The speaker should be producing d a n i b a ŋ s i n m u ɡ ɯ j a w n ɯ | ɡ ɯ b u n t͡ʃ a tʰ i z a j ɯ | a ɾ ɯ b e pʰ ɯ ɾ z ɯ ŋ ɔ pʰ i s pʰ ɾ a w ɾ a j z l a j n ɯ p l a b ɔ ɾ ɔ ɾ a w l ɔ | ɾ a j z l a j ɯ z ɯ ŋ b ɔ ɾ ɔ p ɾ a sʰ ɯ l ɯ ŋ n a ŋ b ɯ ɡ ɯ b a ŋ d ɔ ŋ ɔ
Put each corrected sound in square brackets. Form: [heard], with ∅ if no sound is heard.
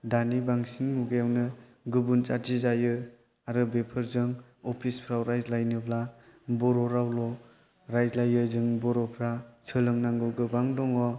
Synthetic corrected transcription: d a n i b a ŋ s i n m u ɡ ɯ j a w n ɯ | ɡ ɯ b u n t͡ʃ a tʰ i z a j ɯ | a ɾ ɯ b e pʰ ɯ ɾ z ɯ ŋ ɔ pʰ i s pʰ ɾ a w ɾ a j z l a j n ɯ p l a b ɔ ɾ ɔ ɾ a w l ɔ | ɾ a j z l a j ɯ z ɯ ŋ b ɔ ɾ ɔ [pʰ] ɾ a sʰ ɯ l ɯ ŋ n a ŋ [ɡ] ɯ ɡ ɯ b a ŋ d ɔ ŋ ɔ